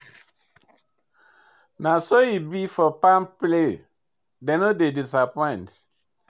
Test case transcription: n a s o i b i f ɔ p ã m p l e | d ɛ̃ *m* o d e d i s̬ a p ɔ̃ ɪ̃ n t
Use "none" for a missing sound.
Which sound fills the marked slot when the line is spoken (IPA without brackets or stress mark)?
n